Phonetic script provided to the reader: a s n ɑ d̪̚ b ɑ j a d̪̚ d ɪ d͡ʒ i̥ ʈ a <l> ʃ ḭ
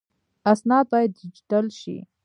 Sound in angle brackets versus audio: correct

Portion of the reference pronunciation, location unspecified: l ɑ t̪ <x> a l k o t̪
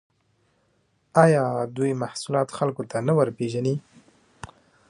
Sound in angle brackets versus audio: correct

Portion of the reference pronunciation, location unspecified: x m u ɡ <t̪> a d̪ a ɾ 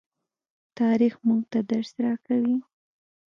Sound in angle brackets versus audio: correct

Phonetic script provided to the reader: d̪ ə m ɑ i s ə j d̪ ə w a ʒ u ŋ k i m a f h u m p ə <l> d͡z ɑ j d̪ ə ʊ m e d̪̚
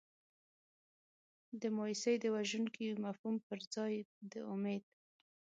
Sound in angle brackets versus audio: incorrect: ɾ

